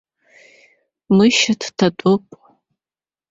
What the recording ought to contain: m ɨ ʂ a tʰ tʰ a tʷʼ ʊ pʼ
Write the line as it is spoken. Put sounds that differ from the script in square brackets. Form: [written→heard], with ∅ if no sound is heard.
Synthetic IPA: m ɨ [ʂ→ʃ] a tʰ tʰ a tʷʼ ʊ pʼ

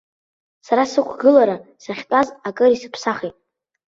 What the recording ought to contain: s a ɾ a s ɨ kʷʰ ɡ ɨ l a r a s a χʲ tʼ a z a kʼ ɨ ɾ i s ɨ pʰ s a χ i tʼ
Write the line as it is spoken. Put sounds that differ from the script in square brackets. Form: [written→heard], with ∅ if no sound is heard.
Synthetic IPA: s a ɾ a s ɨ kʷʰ ɡ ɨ l a [r→ɾ] a s a χʲ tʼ a z a kʼ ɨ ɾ i s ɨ pʰ s a χ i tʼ

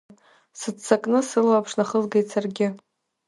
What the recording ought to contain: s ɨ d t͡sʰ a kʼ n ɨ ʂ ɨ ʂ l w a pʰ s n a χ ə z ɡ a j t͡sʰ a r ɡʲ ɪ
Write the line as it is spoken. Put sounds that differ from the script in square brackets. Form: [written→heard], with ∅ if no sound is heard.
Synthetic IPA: s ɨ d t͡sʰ a kʼ n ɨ [ʂ→s] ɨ [ʂ→∅] l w a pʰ [s→ʂ] n a χ ə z ɡ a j t͡sʰ a r ɡʲ ɪ

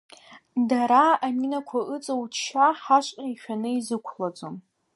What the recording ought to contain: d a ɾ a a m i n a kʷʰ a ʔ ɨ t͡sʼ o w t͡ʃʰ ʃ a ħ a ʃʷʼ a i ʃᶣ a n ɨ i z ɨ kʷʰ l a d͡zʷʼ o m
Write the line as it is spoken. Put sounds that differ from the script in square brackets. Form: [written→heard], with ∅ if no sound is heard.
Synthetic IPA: d a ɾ a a m i n a kʷʰ a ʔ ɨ t͡sʼ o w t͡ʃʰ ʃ a ħ a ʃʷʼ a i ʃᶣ a n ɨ i z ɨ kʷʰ l a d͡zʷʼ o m

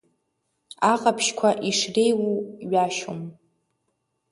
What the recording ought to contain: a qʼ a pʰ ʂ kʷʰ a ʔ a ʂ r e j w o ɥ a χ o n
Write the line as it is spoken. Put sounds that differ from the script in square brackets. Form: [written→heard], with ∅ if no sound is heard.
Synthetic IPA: a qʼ a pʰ [ʂ→ʃ] kʷʰ a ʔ [a→i] ʂ r e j w [o→u] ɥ a [χ→ʃ] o [n→m]

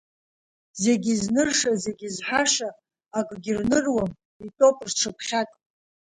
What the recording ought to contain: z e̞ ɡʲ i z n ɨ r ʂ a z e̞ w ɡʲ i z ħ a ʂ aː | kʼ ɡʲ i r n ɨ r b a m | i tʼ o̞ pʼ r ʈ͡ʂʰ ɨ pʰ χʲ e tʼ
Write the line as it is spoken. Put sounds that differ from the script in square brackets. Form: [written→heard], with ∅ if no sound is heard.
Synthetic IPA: z e̞ ɡʲ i z n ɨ r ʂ a z e̞ [w→∅] ɡʲ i z ħ a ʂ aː | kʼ ɡʲ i r n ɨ r [b→w] a m | i tʼ o̞ pʼ r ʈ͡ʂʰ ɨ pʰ χʲ [e→a] tʼ

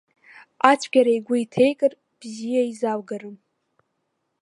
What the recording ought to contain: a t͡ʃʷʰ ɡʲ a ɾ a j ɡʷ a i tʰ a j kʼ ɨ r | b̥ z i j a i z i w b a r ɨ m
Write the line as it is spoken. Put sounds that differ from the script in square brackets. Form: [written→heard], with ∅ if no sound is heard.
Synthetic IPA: a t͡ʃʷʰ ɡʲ a ɾ a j ɡʷ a i tʰ [a→e] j kʼ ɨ r | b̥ z i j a i z [i→a] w [b→ɡ] a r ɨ m

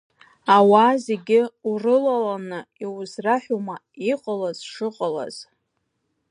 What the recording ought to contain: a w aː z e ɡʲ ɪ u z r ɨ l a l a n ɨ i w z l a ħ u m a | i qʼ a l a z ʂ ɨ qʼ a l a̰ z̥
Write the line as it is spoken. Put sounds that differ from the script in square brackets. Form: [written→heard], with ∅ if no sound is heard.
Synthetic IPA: a w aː z e ɡʲ ɪ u [z→∅] r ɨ l a l a n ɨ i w z [l→r] a ħ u m a | i qʼ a l a z ʂ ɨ qʼ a l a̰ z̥

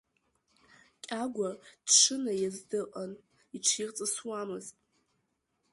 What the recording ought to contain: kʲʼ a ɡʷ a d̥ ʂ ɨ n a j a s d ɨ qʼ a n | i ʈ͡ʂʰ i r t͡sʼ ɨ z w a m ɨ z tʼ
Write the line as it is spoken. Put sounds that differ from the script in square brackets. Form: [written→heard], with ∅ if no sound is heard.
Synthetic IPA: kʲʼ a ɡʷ a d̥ ʂ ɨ n a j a [s→z] d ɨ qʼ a n | i ʈ͡ʂʰ i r t͡sʼ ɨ [z→s] w a m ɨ z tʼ

